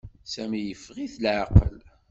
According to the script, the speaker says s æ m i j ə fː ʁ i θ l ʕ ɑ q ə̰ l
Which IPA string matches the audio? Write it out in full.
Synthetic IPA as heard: s æ m i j ə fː ʁ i θ l ʕ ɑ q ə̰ l